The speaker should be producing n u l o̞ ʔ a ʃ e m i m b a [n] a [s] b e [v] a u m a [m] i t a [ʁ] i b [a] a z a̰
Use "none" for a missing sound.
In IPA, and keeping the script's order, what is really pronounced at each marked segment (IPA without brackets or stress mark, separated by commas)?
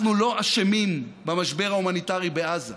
m, ʃ, ʁ, n, ʁ, e